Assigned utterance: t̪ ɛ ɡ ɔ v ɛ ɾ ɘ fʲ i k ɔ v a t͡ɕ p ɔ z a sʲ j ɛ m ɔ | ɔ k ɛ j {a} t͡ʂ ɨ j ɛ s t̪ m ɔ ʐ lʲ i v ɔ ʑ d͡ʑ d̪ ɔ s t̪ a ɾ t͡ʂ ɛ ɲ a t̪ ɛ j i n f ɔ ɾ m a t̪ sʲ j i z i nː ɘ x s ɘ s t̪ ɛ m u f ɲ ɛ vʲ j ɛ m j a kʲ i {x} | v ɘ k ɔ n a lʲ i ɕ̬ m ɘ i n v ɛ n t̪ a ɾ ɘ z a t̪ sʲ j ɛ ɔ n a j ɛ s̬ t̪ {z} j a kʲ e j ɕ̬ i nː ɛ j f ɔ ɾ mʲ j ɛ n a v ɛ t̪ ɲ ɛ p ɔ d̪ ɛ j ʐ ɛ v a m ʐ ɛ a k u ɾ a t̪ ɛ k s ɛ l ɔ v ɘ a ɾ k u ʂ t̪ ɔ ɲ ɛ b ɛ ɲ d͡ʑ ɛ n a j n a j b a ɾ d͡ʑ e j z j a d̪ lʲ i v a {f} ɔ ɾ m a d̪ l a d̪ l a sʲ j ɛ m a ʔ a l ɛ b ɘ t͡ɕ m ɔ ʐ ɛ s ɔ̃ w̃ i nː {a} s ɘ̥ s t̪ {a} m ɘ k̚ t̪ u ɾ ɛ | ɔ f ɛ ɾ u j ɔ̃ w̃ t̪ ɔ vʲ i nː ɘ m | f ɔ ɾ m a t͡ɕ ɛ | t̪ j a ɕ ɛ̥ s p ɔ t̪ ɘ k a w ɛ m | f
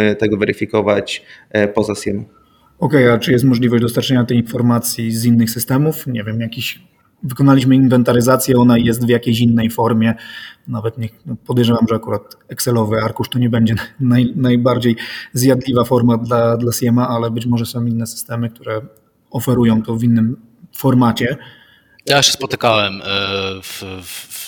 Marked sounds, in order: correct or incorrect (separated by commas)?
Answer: correct, incorrect, incorrect, correct, incorrect, incorrect